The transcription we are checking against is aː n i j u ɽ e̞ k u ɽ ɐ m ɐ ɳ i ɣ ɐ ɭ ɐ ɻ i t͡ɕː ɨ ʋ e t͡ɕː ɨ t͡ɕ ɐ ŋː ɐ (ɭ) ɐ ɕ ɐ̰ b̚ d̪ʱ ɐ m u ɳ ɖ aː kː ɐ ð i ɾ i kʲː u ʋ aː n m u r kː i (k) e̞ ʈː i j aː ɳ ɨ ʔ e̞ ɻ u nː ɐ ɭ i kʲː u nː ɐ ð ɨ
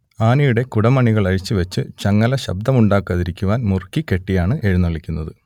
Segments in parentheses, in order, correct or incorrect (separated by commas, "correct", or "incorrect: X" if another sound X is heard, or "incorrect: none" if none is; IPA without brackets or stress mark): incorrect: l, correct